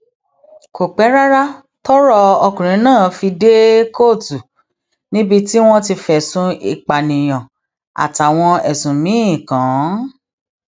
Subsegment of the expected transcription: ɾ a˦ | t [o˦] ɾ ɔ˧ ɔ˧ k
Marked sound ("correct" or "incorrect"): incorrect